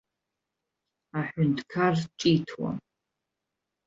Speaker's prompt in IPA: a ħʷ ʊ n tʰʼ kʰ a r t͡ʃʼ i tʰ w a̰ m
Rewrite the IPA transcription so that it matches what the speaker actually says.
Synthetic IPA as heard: a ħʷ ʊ n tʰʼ kʰ a r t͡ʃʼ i tʰ w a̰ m